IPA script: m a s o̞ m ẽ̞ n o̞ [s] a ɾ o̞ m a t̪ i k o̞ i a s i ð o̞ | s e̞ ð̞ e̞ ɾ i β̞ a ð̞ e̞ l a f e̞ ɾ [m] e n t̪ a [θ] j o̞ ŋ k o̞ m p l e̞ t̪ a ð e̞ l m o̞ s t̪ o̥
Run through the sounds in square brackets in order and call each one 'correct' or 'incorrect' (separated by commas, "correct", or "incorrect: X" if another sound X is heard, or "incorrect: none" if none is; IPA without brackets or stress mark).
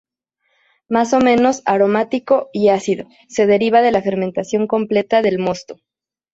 correct, correct, incorrect: s